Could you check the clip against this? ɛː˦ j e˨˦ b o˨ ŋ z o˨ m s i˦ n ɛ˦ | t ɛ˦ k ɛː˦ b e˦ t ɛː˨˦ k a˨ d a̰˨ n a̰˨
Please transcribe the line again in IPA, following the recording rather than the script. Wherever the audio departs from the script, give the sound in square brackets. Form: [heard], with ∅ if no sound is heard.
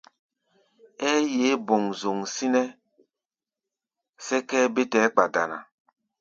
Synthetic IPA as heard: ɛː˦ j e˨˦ b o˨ ŋ z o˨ [ŋ] s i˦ n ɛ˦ | [s] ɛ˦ k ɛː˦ b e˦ t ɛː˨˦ [k͡p] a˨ d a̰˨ n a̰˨